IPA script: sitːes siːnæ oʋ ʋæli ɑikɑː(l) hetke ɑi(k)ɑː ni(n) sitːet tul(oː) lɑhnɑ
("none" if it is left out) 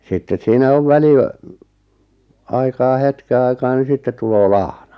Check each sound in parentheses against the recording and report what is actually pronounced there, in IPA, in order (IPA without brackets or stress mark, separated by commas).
none, k, none, oː